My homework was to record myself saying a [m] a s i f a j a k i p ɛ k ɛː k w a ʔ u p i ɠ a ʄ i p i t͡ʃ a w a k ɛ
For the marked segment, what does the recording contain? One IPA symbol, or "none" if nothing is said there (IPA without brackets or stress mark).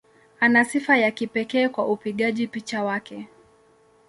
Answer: n